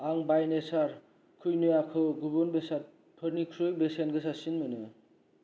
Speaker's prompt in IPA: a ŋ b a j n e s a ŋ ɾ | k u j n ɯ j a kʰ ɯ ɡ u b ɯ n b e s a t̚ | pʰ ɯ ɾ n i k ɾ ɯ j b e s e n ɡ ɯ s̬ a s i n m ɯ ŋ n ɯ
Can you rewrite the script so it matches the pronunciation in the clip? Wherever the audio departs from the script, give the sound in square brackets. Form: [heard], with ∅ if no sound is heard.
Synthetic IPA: a ŋ b a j n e s a [∅] ɾ | [kʰ] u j n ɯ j a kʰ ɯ ɡ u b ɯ n b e s a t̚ | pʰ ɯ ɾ n i [kʰ] ɾ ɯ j b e s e n ɡ ɯ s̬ a s i n m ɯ [∅] n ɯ